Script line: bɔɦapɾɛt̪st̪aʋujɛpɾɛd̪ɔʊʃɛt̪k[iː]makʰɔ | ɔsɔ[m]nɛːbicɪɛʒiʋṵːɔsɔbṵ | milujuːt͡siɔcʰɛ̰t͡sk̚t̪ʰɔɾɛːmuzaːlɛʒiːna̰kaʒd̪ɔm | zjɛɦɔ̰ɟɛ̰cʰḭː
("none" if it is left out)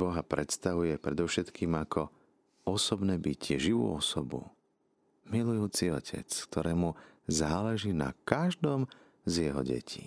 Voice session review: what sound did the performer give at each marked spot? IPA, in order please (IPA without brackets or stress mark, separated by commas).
iː, b